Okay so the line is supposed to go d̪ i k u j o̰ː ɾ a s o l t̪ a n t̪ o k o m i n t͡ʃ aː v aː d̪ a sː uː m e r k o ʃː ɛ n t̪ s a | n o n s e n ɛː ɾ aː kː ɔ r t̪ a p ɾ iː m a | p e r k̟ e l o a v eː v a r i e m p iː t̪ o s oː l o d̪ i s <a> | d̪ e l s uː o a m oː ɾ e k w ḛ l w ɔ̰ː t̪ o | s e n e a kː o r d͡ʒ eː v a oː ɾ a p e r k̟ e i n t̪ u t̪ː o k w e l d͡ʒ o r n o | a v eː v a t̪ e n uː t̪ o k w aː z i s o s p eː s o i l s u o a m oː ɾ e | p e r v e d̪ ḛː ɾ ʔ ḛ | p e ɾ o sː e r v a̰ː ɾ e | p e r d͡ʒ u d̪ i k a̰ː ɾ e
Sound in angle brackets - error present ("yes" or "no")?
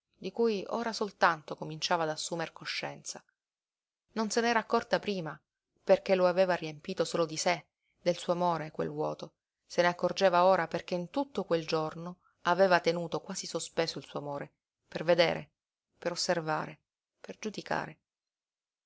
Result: yes